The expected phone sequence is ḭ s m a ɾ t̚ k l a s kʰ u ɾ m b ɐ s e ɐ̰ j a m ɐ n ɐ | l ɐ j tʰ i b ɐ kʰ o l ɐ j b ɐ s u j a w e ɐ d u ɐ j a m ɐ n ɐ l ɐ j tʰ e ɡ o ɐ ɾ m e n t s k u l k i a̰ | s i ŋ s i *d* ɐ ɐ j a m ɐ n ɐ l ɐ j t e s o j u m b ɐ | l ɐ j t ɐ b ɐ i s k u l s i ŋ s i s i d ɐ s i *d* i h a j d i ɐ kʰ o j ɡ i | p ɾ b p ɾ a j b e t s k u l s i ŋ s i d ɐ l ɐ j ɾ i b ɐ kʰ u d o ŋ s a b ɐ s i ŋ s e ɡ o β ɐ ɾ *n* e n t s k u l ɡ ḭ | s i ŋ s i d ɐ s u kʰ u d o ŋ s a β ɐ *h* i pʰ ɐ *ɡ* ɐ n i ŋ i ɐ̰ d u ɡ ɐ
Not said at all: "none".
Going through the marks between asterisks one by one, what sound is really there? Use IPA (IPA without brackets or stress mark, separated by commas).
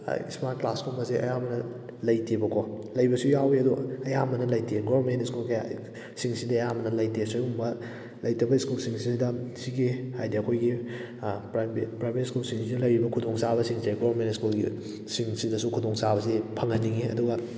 d, ɡ, m, s, ŋ